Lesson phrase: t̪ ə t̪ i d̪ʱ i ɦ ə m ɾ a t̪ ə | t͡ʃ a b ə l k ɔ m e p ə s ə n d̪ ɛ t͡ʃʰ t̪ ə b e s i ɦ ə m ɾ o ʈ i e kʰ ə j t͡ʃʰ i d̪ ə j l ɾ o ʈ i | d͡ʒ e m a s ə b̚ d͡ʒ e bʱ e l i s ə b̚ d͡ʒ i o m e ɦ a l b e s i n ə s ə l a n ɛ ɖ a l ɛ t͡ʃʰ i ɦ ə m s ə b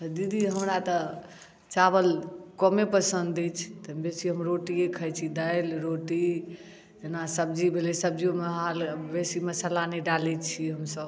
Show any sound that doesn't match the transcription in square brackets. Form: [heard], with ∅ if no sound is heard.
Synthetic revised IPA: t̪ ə [d̪] i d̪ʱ i ɦ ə m ɾ a t̪ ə | t͡ʃ a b ə l k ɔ m e p ə s ə n d̪ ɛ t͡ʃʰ t̪ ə b e s i ɦ ə m ɾ o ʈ i e kʰ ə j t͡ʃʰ i d̪ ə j l ɾ o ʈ i | d͡ʒ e [n] a s ə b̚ d͡ʒ [i] bʱ e l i s ə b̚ d͡ʒ i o m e ɦ a l b e s i [m] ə s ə l a n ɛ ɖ a l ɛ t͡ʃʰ i ɦ ə m s ə b